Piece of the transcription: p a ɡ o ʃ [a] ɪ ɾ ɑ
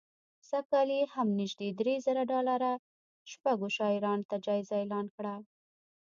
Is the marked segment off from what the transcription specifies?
yes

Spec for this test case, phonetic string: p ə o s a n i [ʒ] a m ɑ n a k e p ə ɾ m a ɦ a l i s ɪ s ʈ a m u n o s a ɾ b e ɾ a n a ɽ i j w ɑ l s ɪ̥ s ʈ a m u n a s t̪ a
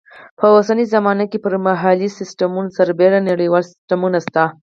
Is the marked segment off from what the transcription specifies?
yes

